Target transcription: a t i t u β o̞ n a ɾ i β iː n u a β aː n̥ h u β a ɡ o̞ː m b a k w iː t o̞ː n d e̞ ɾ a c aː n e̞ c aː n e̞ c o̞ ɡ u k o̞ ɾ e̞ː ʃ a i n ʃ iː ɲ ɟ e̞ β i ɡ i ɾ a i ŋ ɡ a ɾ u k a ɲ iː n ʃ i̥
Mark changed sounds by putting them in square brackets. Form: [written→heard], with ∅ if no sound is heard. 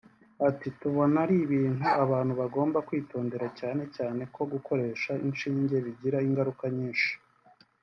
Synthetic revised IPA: a t i t u β o̞ n a ɾ i β iː n u a β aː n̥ h u β a ɡ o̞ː m b a k w iː t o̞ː n d e̞ ɾ a c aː n e̞ c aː n e̞ [c→k] o̞ ɡ u k o̞ ɾ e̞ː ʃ a i n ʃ iː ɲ ɟ e̞ β i [ɡ→ɟ] i ɾ a i ŋ ɡ a ɾ u k a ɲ iː n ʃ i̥